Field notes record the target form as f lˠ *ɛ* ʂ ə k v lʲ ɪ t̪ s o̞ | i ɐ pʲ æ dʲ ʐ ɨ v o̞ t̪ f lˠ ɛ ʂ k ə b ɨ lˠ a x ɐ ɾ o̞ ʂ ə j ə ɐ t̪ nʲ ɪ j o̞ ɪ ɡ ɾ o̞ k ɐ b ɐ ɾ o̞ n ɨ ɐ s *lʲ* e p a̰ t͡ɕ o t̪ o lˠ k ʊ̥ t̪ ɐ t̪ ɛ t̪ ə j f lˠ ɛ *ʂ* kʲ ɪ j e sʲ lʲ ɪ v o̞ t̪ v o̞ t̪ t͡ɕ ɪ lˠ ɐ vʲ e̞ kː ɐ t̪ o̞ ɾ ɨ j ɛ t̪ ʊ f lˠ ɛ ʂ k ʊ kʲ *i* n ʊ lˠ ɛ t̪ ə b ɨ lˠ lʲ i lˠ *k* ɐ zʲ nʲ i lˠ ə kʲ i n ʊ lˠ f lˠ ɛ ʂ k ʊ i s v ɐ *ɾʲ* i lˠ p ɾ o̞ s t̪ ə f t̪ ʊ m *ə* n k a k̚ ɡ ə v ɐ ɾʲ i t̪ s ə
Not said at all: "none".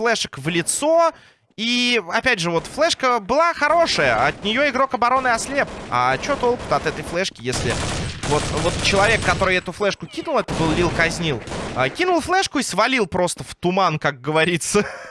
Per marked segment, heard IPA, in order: ɛ, lʲ, ʂ, i, k, lʲ, a

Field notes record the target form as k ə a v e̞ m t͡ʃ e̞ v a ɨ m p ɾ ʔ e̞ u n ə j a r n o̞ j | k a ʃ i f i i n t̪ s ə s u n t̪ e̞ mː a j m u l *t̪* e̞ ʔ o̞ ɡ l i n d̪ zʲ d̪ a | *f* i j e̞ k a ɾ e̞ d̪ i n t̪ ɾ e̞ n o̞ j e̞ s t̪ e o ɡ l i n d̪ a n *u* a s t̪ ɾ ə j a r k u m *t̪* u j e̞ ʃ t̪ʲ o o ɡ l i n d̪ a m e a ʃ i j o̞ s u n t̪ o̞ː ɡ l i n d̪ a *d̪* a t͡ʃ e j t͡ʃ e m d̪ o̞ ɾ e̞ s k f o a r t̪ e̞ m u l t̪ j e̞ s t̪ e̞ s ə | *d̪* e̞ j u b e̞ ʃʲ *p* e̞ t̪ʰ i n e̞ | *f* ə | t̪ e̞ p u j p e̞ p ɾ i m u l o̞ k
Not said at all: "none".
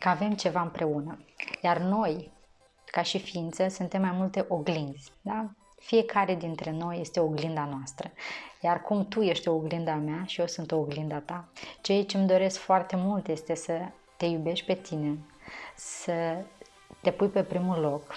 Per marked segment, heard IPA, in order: t̪, f, o, t̪, t̪, t̪, p, s

